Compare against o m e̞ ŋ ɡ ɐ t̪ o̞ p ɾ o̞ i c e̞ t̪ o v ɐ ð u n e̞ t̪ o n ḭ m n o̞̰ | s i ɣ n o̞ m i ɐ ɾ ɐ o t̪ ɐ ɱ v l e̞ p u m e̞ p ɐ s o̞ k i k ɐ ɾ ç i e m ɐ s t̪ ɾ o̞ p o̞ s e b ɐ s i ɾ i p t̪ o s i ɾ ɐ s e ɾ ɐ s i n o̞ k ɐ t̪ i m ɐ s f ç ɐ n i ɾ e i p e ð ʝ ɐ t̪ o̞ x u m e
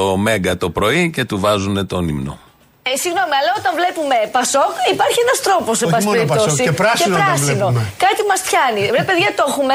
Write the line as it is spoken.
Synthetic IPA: o m e̞ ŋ ɡ ɐ t̪ o̞ p ɾ o̞ i c e̞ t̪ u v ɐ z u n e̞ t̪ o n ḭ m n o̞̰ | s i ɣ n o̞ m i ɐ l ɐ o t̪ ɐ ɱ v l e̞ p u m e̞ p ɐ s o̞ k i p ɐ ɾ ç i e n ɐ s t̪ ɾ o̞ p o̞ s e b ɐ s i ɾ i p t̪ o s i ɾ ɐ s e ɾ ɐ s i n o̞ k ɐ t̪ i m ɐ s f ç ɐ n i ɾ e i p e ð ʝ ɐ t̪ o̞ x u m e